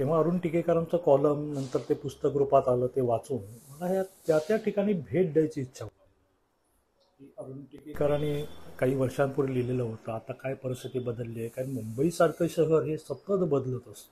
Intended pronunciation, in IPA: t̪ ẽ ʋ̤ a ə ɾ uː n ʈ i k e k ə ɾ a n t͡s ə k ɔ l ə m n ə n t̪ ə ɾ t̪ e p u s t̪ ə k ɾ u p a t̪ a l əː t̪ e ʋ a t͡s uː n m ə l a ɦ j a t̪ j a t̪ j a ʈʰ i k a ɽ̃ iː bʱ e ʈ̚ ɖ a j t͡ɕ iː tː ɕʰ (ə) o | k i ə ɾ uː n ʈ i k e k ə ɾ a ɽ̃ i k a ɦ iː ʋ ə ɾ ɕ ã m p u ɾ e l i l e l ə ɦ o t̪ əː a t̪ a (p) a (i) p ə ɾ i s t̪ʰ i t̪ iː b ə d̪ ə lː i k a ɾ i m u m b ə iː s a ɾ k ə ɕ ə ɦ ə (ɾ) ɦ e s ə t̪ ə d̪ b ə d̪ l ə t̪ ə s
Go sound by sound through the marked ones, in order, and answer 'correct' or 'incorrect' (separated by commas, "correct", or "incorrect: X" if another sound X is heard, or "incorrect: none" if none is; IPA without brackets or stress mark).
incorrect: a, incorrect: k, incorrect: j, correct